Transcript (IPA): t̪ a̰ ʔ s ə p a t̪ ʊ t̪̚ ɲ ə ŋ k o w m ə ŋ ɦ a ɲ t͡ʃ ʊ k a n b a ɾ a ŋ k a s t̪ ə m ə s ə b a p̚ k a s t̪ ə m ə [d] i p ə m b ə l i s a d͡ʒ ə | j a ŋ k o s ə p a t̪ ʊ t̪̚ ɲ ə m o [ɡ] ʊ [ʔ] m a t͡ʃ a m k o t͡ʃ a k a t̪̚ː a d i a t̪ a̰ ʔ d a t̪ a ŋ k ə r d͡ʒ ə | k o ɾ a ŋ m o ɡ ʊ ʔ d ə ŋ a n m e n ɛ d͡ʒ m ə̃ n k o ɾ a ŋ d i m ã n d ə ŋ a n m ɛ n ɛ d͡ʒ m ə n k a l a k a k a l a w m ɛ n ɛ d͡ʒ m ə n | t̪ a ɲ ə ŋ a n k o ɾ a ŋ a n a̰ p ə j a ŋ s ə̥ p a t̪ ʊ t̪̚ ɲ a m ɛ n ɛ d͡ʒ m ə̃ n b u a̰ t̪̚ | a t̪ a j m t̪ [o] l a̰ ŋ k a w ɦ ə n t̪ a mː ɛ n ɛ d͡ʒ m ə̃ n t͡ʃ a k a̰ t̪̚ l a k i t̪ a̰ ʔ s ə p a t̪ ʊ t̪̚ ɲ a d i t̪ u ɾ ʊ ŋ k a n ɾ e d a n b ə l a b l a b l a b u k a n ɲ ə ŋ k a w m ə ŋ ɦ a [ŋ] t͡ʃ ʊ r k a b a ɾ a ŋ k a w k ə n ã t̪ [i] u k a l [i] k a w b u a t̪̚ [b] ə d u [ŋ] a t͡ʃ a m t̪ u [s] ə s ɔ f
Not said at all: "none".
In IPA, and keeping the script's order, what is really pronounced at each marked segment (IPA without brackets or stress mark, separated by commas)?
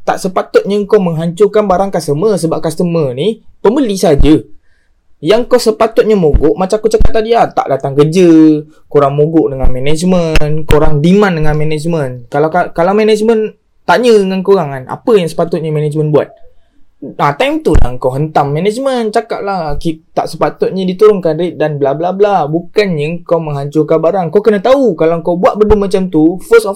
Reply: n, ɡ, ʔ, u, ɲ, a, a, b, m, f